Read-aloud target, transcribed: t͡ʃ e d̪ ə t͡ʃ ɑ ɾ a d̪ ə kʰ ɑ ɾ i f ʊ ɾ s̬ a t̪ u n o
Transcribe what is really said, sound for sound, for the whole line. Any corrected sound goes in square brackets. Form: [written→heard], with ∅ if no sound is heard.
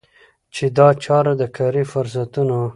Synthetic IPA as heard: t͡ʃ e d̪ [ə→ɑ] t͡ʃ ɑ ɾ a d̪ ə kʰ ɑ ɾ i f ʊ ɾ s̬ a t̪ u n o